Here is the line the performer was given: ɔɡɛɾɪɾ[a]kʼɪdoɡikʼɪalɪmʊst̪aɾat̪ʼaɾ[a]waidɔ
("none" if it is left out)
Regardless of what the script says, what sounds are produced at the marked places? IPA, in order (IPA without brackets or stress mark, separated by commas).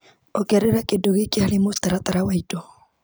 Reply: a, a